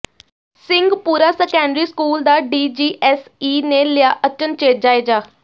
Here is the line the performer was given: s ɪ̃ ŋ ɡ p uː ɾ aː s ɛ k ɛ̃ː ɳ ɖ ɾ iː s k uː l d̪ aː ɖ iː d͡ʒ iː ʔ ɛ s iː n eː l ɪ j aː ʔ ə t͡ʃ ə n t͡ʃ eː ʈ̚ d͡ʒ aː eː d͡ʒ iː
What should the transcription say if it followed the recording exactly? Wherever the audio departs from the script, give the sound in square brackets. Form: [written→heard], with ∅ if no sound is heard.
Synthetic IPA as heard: s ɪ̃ ŋ ɡ p uː ɾ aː s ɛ k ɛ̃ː ɳ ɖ ɾ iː s k uː l d̪ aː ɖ iː d͡ʒ iː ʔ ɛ s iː n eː l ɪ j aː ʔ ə t͡ʃ ə n t͡ʃ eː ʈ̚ d͡ʒ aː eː d͡ʒ [iː→aː]

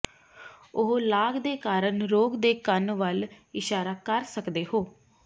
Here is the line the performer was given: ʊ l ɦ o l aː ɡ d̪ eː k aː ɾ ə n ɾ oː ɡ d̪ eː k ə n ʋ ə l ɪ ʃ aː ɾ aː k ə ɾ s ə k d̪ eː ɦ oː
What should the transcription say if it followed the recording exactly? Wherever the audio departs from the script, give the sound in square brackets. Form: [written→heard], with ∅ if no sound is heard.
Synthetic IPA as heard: ʊ [l→∅] ɦ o l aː ɡ d̪ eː k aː ɾ ə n ɾ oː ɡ d̪ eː k ə n ʋ ə l ɪ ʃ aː ɾ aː k ə ɾ s ə k d̪ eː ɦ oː

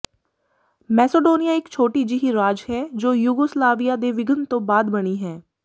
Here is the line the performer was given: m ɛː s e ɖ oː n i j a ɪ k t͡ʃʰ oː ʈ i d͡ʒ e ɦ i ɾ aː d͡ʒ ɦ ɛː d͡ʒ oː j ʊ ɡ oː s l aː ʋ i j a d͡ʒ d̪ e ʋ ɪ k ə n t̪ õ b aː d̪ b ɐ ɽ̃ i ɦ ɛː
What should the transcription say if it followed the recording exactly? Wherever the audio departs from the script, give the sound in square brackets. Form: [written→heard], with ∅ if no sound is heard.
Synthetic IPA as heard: m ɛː s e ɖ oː n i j a ɪ k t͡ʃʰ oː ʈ i d͡ʒ [e→i] ɦ i ɾ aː d͡ʒ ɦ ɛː d͡ʒ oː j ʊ ɡ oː s l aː ʋ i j a [d͡ʒ→∅] d̪ e ʋ ɪ [k→ɡ] ə n t̪ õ b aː d̪ b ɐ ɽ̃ i ɦ ɛː

